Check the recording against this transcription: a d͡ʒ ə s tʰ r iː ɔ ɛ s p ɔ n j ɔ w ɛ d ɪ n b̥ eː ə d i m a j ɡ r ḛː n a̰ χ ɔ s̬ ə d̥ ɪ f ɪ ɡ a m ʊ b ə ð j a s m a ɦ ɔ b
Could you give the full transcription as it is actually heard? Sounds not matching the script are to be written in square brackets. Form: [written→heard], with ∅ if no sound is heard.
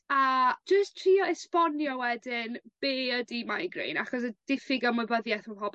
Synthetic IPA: a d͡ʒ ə s tʰ r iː ɔ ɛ s p ɔ n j ɔ w ɛ d ɪ n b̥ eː ə d i m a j ɡ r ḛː n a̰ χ ɔ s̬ ə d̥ ɪ f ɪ ɡ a m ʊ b ə ð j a [s→θ] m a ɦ ɔ b